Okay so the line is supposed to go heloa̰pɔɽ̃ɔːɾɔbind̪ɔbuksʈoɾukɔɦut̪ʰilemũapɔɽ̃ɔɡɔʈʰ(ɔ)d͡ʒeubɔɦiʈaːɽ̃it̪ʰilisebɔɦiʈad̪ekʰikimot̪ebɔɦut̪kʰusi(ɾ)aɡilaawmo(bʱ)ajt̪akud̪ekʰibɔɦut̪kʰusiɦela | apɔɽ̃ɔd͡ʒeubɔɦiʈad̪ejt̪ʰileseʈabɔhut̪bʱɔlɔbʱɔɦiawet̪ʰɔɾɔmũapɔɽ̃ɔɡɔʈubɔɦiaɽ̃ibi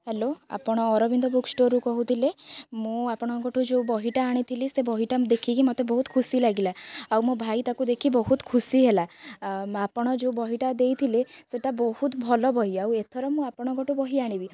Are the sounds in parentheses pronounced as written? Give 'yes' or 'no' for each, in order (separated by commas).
no, no, yes